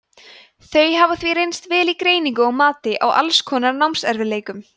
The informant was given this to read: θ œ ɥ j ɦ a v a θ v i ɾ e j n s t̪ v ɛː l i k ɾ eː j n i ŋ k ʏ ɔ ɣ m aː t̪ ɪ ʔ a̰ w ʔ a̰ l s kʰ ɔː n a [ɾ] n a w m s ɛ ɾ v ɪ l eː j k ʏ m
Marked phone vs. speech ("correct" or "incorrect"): correct